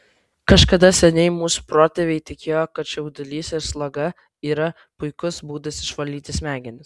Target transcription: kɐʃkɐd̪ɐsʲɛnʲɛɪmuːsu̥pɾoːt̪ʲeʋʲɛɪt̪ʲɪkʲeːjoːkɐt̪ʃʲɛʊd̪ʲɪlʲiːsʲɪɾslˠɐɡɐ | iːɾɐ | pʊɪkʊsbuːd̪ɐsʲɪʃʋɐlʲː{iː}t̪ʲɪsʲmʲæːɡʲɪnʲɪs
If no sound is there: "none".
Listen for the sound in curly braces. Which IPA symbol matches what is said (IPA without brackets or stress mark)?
iː